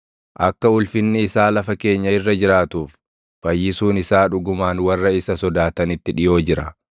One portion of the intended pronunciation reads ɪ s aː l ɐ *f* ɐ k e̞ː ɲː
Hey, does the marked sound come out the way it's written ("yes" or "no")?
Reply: yes